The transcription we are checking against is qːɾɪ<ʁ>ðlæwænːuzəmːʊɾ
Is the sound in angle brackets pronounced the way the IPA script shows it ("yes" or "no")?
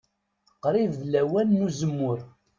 no